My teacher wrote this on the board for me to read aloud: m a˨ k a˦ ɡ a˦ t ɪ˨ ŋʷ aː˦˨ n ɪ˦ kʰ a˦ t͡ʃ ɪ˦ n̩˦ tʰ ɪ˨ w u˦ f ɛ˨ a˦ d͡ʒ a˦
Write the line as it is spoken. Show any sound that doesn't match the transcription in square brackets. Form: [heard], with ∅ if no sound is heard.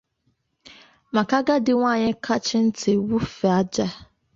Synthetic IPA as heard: m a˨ k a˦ ɡ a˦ [d] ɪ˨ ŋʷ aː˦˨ [ɲ] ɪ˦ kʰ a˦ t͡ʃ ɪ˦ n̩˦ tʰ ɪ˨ w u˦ f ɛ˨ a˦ d͡ʒ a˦